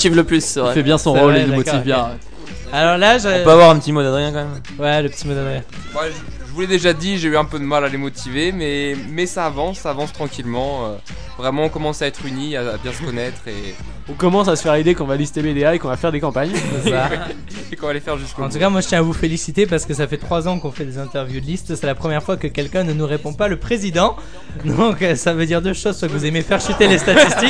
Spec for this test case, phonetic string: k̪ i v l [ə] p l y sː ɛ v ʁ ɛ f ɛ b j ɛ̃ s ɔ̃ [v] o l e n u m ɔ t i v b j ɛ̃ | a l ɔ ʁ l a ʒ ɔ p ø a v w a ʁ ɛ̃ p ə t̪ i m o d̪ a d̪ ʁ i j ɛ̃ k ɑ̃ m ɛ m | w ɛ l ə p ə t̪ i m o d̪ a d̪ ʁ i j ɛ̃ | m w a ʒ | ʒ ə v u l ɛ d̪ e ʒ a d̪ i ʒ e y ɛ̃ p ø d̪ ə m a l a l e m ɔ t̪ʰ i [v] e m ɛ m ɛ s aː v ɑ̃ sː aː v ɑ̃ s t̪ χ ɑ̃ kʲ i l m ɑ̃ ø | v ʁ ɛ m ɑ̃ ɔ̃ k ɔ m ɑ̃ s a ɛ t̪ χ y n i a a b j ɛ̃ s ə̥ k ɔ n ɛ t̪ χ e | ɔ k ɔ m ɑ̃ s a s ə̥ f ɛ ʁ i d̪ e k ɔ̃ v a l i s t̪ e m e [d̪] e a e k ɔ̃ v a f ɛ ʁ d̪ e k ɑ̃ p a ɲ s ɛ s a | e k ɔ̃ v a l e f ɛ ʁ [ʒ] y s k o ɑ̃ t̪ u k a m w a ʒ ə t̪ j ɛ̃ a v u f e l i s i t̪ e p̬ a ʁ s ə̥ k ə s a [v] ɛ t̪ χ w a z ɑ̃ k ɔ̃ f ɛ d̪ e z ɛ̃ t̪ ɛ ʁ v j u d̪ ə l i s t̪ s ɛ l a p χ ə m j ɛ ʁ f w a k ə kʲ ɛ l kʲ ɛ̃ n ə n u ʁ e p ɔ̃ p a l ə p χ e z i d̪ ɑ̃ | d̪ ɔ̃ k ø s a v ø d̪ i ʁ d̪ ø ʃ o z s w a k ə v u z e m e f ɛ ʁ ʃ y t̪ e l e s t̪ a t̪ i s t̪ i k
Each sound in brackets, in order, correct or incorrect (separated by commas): correct, incorrect, correct, correct, correct, incorrect